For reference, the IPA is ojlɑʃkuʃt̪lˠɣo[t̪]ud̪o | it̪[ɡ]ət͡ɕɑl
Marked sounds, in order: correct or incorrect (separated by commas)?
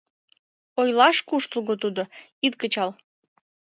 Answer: correct, incorrect